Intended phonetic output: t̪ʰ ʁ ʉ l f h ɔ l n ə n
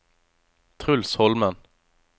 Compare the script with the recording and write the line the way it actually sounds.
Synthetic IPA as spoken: t̪ʰ ʁ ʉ l s h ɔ l m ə n